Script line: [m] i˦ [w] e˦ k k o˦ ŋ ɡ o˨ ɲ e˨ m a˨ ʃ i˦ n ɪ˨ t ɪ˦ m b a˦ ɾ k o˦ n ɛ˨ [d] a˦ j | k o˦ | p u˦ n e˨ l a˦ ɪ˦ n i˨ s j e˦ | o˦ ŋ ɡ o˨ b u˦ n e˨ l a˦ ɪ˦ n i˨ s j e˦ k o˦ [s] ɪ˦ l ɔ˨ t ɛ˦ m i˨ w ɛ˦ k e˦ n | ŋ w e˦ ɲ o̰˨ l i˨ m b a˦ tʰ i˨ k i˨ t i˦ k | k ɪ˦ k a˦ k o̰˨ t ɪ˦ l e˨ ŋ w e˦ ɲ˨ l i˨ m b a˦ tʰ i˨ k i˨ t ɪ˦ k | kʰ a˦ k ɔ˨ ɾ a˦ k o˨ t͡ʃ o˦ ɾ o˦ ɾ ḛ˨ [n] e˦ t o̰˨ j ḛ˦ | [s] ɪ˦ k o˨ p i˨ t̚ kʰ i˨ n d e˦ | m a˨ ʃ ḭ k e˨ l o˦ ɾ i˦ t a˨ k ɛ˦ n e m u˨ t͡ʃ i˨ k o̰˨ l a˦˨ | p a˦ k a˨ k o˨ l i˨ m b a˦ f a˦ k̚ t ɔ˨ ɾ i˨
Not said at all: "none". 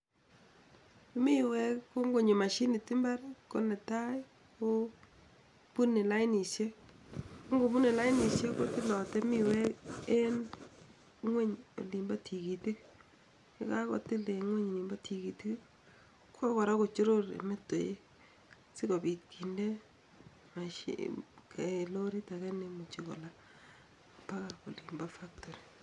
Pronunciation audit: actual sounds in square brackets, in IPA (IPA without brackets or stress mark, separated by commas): m, w, t, t, m, s